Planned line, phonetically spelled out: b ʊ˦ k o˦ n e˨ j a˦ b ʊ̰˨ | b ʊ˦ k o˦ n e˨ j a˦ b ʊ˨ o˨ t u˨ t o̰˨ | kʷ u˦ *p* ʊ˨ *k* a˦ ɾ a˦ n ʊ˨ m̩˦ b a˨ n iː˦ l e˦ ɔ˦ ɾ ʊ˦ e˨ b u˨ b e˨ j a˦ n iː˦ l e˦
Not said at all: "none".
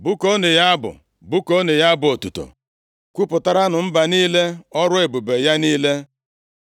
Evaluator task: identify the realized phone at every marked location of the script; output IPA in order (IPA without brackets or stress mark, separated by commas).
p, t